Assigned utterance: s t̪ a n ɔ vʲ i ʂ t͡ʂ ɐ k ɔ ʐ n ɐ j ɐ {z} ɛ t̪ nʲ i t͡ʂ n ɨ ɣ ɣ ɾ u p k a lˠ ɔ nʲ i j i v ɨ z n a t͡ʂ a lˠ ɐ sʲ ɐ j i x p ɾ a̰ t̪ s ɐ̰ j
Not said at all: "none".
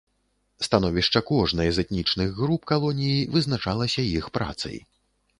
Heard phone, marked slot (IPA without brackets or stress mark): z